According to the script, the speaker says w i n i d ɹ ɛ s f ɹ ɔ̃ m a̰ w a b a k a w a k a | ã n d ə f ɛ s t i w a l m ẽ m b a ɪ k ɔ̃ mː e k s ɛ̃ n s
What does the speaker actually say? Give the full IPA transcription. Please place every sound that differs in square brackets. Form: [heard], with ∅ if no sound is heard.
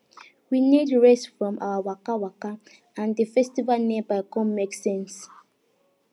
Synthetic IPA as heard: w i n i d ɹ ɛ s f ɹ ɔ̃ m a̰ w a [w] a k a w a k a | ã n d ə f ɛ s t i [v] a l [n] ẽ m b a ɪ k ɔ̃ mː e k s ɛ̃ n s

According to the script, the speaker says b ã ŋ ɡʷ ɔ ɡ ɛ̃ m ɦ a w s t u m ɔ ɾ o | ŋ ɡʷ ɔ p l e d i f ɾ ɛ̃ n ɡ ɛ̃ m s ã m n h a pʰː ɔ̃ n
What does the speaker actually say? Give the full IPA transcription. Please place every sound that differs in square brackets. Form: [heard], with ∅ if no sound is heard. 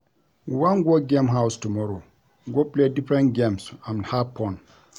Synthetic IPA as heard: [w] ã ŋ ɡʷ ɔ ɡ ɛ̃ m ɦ a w s t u m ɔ ɾ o | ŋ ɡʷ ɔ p l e d i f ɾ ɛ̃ n ɡ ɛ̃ m s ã m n h a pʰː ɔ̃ n

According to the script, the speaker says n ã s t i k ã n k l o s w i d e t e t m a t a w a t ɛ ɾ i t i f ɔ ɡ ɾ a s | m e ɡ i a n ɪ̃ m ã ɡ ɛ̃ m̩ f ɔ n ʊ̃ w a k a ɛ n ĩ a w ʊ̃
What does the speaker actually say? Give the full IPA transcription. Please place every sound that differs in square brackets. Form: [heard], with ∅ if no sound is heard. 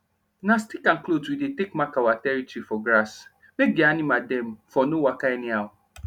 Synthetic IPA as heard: n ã s t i k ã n k l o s w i d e t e [k] m a [k] a w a t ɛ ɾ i t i f ɔ ɡ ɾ a s | m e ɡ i a n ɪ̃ m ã [d] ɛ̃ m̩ f ɔ n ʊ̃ w a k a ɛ n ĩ a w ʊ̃

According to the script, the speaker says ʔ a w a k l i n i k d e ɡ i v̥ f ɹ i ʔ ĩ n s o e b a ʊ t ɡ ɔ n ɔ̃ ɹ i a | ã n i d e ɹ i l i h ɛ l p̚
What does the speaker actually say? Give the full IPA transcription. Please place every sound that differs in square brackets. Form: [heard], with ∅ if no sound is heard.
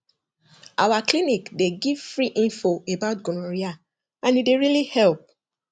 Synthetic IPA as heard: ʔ a w a k l i n i k d e ɡ i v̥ f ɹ i ʔ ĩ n [f] o e b a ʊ t ɡ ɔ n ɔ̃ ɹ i a | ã n i d e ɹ i l i h ɛ l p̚

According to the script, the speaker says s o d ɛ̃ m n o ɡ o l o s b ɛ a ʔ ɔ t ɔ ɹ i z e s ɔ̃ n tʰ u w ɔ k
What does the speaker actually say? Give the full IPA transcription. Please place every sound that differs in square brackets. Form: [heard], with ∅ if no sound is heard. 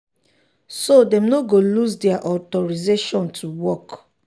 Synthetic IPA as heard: s o d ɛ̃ m n o ɡ o l [u] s [d] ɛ a ʔ ɔ t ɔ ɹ i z e [ʃ] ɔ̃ n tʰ u w ɔ k

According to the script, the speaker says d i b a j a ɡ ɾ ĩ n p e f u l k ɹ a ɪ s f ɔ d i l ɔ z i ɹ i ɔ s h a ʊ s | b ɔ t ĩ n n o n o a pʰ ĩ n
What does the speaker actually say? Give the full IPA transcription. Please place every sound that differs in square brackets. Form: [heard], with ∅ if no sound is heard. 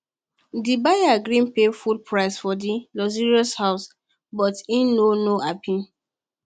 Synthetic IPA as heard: d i b a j a ɡ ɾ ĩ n p e f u l [p] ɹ a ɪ s f ɔ d i l ɔ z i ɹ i ɔ s h a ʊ s | b ɔ t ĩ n n o n o a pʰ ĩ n

